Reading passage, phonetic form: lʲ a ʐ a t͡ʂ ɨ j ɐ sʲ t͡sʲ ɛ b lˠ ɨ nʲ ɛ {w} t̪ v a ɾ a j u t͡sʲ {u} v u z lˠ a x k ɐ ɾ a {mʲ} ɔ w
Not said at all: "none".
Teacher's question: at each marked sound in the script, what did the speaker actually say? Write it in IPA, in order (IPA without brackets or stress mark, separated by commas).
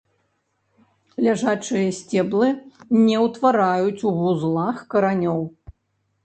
w, u, nʲ